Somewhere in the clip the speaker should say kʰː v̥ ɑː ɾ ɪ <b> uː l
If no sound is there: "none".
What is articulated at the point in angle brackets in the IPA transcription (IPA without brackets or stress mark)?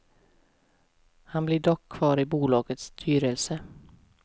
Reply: b